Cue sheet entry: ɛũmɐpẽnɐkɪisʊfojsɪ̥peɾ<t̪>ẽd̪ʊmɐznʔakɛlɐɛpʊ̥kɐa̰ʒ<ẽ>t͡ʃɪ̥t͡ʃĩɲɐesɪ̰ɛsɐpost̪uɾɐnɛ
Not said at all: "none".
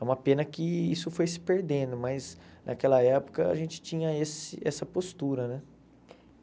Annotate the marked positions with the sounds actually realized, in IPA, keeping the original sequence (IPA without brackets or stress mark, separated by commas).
d̪, ẽ